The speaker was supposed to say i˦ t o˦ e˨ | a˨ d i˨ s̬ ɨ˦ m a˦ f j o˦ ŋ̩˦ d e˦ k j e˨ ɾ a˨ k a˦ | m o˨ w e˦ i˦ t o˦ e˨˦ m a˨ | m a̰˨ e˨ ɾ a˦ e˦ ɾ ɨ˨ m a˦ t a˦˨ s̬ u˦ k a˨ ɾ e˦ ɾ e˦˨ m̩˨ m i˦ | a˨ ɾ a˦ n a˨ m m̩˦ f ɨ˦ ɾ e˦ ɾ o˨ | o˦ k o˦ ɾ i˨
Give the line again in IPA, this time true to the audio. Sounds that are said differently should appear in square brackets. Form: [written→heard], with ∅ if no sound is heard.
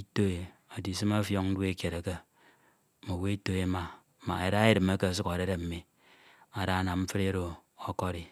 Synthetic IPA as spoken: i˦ t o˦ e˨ | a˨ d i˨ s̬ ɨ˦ m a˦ f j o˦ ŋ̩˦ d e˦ k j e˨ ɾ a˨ k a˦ | m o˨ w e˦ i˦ t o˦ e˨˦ m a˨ | m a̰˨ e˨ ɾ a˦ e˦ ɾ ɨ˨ m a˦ [t→k] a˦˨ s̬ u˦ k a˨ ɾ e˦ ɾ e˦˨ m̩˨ m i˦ | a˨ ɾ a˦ n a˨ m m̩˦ f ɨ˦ ɾ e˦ ɾ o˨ | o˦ k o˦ ɾ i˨